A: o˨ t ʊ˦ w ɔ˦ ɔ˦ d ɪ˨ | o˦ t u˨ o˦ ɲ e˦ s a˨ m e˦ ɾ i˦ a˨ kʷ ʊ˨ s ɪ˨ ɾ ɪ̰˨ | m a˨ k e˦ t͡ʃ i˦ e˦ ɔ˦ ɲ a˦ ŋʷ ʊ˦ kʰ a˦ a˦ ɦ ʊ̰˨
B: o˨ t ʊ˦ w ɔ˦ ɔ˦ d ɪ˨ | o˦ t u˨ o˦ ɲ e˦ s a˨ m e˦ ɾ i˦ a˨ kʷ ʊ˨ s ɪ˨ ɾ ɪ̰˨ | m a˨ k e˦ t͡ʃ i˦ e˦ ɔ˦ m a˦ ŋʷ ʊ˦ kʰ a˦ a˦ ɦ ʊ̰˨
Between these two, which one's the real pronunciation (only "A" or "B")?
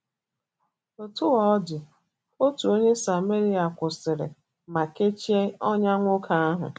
A